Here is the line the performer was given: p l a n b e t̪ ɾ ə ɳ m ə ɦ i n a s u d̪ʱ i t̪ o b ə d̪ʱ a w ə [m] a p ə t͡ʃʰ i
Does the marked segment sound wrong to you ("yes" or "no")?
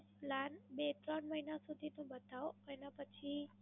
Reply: yes